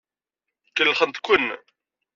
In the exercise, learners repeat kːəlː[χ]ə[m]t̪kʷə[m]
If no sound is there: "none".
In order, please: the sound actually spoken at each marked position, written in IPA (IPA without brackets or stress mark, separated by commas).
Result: χ, n, n